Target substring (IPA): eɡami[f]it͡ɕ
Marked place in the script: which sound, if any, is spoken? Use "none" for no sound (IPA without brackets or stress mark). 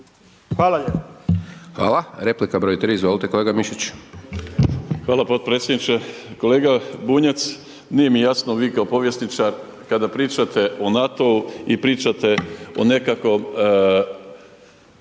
ʃ